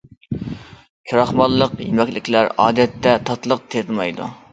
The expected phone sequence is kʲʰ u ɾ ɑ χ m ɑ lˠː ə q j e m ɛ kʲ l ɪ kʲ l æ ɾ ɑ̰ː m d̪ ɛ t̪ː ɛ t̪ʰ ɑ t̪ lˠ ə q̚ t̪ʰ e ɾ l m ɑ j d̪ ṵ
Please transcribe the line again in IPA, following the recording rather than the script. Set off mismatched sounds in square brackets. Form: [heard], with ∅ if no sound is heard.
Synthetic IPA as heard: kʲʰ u ɾ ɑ χ m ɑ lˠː ə q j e m ɛ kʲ l ɪ kʲ l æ ɾ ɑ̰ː [∅] d̪ ɛ t̪ː ɛ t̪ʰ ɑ t̪ lˠ ə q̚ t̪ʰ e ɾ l m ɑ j d̪ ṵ